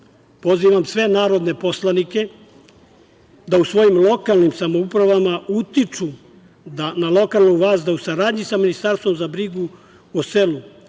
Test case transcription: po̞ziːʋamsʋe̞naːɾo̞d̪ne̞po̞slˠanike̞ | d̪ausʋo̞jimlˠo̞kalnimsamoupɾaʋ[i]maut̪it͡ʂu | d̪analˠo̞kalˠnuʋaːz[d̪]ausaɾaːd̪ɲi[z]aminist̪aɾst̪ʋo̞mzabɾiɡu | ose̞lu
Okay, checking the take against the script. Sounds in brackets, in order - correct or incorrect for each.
incorrect, correct, incorrect

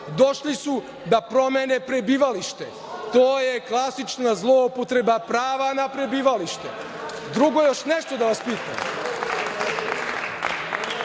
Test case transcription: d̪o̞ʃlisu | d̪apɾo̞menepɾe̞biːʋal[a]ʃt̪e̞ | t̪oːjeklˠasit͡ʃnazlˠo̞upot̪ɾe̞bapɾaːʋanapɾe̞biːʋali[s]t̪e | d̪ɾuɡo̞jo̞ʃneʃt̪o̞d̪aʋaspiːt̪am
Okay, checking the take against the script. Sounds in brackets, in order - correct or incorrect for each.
incorrect, incorrect

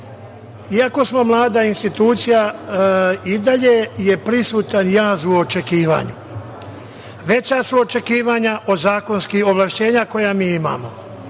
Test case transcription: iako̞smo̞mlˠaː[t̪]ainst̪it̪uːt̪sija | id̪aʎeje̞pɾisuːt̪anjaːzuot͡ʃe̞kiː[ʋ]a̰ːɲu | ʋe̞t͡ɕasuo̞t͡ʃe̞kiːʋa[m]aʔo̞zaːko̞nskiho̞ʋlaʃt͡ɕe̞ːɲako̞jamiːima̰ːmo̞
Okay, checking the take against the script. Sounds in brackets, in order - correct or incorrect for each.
incorrect, correct, incorrect

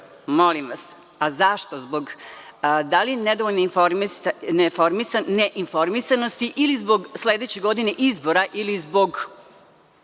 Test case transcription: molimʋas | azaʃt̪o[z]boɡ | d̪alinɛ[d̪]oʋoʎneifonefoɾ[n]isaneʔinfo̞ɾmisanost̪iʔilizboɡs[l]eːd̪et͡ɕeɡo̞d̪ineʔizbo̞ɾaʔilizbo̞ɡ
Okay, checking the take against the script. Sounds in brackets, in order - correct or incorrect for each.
correct, correct, incorrect, correct

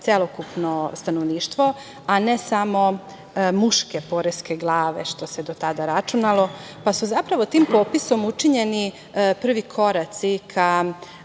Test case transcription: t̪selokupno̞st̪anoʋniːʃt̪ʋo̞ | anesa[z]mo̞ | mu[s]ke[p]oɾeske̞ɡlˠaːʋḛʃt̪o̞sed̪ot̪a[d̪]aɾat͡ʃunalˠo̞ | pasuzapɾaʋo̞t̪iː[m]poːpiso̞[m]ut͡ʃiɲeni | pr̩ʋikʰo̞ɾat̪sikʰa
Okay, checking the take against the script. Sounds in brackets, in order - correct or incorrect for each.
incorrect, incorrect, correct, correct, correct, correct

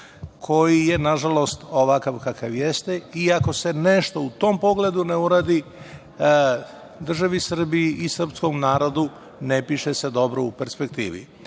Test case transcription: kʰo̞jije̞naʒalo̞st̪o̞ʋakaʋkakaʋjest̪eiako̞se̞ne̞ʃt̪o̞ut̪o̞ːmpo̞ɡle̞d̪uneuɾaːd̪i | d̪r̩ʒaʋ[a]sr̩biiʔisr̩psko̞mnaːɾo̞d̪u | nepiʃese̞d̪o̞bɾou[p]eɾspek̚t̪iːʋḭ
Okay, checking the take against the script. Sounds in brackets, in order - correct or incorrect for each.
incorrect, correct

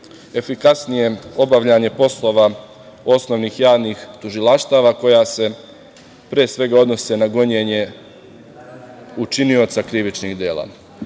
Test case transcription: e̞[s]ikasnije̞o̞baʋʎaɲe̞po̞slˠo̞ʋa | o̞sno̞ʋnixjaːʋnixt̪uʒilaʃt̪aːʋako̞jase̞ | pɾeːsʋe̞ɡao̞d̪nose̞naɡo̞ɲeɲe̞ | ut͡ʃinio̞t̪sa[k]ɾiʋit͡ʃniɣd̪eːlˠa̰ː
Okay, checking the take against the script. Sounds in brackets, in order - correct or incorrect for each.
incorrect, correct

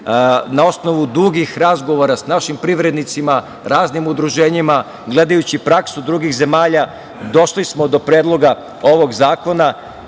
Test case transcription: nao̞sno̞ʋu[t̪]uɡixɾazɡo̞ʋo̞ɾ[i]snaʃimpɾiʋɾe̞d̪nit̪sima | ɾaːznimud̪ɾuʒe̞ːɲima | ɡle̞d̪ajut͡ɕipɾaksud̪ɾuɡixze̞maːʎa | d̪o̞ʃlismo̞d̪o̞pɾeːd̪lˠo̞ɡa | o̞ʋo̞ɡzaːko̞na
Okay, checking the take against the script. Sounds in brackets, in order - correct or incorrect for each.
incorrect, incorrect

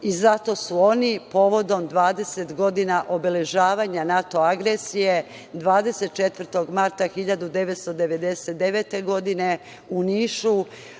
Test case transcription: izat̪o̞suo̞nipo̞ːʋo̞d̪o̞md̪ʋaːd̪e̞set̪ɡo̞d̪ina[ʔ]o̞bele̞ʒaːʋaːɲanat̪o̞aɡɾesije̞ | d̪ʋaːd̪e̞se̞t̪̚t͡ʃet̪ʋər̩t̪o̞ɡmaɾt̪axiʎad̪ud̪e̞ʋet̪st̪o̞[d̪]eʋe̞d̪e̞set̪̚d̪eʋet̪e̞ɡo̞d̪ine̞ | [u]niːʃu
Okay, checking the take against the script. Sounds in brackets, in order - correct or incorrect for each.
correct, correct, correct

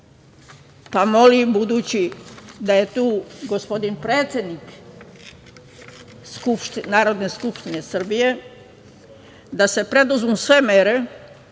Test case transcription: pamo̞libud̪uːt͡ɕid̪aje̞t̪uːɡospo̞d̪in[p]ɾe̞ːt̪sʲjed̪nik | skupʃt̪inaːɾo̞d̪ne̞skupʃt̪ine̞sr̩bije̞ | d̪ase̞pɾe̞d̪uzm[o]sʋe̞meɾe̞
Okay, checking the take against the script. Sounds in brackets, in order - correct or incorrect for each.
correct, incorrect

